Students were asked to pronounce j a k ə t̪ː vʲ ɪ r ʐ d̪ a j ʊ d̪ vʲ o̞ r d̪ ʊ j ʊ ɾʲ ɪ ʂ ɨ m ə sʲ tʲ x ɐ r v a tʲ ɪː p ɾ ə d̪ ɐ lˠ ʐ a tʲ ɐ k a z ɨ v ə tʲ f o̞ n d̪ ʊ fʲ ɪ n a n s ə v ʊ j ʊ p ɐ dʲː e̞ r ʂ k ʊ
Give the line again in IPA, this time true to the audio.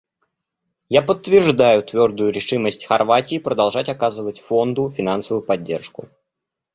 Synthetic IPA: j a p ə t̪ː vʲ ɪ r ʐ d̪ a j ʊ t̪ vʲ o̞ r d̪ ʊ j ʊ ɾʲ ɪ ʂ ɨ m ə sʲ tʲ x ɐ r v a tʲ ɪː p ɾ ə d̪ ɐ lˠ ʐ a tʲ ɐ k a z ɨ v ə tʲ f o̞ n d̪ ʊ fʲ ɪ n a n s ə v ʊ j ʊ p ɐ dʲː e̞ r ʂ k ʊ